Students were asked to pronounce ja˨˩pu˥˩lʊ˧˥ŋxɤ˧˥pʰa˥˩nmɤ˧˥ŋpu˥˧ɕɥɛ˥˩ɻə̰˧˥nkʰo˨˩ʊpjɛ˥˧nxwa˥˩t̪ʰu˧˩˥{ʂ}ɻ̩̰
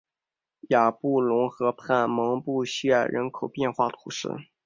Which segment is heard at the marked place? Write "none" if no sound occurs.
ʂ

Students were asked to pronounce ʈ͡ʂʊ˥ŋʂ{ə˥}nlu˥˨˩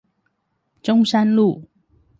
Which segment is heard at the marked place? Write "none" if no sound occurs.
a˥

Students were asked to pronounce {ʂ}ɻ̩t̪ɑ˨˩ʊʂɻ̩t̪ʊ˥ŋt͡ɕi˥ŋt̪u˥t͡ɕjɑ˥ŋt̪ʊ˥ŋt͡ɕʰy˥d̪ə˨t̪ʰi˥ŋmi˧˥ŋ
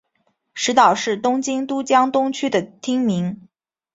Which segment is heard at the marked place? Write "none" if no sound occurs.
ʂ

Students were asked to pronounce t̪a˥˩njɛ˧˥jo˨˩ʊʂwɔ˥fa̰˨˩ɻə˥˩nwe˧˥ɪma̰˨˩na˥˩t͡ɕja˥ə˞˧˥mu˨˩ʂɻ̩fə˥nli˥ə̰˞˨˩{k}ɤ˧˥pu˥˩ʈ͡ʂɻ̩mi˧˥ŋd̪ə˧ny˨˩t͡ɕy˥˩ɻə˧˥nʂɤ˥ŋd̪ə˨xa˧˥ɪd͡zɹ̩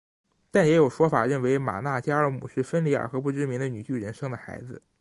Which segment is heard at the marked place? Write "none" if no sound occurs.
x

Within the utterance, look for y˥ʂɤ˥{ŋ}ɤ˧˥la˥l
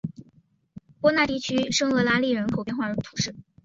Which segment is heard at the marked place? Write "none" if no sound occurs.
ŋ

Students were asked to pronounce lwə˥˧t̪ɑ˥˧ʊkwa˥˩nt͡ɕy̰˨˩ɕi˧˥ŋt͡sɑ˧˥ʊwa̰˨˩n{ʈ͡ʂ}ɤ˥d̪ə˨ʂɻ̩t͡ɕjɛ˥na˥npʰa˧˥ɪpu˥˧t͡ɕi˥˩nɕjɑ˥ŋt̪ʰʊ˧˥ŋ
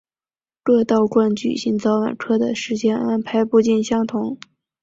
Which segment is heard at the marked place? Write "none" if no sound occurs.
ʈ͡ʂʰ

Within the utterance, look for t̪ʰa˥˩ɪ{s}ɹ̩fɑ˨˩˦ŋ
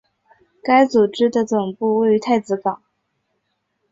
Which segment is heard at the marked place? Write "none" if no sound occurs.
t͡s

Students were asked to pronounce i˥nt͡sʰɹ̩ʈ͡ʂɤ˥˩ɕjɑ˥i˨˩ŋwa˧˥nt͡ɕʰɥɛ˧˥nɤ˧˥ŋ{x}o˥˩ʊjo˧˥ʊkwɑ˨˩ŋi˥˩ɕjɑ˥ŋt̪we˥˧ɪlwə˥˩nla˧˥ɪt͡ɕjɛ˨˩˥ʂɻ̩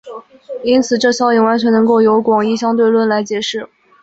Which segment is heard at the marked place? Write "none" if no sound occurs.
k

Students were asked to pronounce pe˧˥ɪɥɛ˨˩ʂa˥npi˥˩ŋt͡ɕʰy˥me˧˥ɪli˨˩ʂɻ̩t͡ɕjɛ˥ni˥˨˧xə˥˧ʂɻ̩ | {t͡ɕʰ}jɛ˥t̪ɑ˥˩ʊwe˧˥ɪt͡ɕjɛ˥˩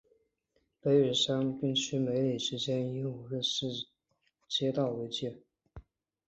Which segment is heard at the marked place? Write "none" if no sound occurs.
t͡ɕ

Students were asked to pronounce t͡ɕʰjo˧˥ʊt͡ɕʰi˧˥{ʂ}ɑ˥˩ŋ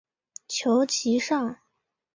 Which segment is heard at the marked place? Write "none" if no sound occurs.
ʂ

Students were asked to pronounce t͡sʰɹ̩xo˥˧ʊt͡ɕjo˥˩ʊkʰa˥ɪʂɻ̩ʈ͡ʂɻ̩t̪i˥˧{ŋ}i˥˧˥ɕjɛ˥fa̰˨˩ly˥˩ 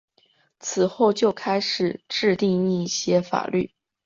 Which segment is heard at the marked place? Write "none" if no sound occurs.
ŋ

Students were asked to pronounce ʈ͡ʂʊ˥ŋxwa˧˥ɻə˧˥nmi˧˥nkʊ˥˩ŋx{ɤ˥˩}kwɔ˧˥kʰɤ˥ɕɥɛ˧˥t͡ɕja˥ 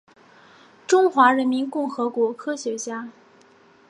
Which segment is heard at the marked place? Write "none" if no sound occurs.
ɤ˧˥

